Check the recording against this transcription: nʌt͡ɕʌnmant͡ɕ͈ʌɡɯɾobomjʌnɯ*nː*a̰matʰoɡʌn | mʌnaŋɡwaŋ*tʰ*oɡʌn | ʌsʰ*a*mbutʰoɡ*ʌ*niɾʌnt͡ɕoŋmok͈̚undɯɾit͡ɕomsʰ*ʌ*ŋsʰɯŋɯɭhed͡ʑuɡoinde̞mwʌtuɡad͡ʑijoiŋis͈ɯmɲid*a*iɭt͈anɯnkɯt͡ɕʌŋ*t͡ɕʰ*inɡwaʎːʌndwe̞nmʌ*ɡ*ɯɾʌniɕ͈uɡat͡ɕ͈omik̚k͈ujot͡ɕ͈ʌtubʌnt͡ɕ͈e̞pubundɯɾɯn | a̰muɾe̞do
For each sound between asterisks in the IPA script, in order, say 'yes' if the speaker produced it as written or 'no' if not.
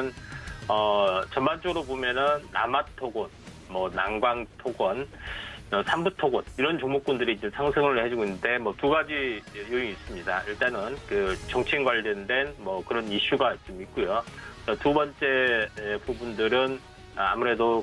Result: yes, yes, yes, yes, no, yes, yes, no

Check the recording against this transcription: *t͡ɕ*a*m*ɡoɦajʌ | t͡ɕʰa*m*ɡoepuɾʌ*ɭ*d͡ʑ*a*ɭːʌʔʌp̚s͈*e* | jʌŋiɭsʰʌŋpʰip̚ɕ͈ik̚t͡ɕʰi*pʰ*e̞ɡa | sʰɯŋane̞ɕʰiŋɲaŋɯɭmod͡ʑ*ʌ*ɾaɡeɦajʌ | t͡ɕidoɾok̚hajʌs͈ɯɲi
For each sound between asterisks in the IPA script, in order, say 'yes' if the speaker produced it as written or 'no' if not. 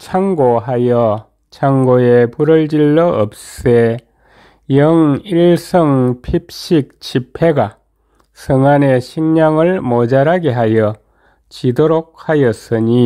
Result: no, no, no, yes, no, yes, yes, no

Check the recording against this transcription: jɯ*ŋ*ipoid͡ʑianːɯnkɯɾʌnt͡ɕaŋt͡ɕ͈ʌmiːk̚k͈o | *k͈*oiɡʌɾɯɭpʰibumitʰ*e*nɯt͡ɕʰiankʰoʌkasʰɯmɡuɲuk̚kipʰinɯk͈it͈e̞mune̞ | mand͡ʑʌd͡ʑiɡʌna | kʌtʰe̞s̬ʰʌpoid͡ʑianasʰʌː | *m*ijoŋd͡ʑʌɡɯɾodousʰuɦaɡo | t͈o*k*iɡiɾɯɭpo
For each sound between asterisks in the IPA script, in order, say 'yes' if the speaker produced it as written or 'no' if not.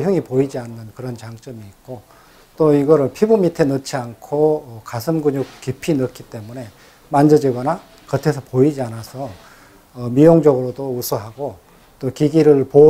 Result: yes, no, yes, yes, yes

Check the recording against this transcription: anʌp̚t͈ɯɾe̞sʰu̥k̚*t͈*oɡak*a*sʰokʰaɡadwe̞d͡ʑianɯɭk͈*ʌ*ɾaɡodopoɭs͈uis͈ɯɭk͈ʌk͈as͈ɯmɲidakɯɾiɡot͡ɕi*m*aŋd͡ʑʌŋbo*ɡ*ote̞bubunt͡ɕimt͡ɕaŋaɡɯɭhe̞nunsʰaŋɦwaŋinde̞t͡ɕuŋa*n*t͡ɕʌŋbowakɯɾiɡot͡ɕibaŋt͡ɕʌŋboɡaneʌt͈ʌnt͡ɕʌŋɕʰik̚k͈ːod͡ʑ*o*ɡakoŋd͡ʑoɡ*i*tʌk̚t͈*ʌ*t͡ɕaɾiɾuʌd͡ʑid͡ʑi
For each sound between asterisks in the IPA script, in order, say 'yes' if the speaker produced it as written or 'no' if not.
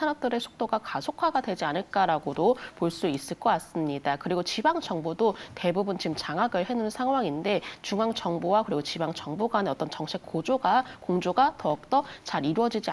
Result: yes, yes, no, no, no, no, yes, no, yes

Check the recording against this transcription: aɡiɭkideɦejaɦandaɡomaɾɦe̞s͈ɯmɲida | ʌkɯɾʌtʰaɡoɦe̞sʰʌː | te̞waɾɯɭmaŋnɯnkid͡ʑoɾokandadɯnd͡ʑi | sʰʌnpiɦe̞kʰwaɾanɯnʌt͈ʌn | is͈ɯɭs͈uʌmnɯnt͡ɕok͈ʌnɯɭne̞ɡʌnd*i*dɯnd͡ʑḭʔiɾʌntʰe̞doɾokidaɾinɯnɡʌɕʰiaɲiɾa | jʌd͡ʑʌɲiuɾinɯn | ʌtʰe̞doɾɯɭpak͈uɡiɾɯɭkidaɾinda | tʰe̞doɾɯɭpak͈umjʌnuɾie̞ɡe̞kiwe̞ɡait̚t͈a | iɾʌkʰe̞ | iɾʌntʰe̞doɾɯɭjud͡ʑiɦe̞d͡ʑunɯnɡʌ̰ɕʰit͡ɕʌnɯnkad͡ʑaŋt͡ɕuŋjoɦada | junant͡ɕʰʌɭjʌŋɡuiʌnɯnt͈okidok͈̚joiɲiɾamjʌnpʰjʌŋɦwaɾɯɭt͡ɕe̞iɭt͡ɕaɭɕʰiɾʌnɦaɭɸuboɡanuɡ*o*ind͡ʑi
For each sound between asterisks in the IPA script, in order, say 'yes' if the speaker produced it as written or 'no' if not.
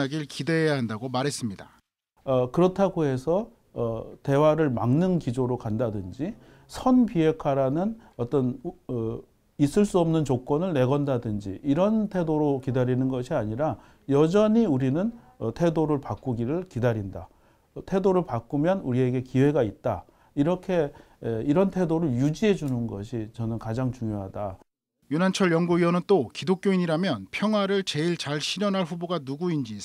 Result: no, no

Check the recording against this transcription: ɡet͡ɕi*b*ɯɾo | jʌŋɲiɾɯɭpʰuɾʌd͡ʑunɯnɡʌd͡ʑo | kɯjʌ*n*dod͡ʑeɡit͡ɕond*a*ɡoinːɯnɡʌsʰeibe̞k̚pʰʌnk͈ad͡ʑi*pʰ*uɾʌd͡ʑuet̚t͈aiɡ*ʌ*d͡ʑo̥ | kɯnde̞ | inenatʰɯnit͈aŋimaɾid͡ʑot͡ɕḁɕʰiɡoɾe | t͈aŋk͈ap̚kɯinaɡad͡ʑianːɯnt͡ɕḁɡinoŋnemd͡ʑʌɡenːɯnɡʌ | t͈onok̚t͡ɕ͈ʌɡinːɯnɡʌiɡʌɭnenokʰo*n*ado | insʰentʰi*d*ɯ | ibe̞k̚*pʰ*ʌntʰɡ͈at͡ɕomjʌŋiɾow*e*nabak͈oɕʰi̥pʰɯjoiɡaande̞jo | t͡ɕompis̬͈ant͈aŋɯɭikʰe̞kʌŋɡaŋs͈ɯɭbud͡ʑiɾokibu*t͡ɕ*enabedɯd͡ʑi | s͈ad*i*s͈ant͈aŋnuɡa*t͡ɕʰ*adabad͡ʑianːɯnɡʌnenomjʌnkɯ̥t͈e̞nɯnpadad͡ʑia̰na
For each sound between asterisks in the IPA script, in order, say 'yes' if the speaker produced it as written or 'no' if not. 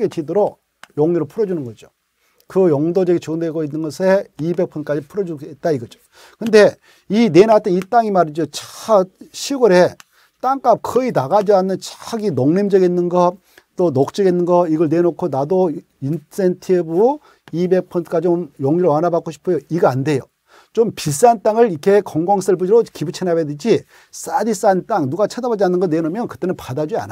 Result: no, no, no, yes, yes, yes, no, yes, no, no, yes, yes

